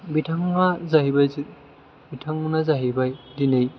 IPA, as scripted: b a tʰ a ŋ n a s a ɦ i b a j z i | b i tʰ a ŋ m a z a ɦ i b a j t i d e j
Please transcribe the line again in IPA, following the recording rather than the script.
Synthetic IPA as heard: b i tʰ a ŋ n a z a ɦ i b a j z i | b i tʰ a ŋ n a z a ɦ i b a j d i n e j